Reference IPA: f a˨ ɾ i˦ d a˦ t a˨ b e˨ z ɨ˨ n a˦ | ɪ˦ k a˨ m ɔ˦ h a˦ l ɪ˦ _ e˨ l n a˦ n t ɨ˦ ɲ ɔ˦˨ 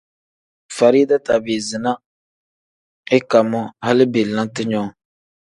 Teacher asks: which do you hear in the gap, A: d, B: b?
B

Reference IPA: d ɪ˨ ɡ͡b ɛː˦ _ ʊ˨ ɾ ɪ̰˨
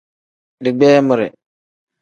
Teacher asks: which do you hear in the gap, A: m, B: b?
A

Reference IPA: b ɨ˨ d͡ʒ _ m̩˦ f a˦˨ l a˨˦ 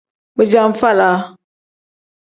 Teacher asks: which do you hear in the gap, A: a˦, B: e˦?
A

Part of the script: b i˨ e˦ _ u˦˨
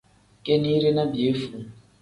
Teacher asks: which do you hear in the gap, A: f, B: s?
A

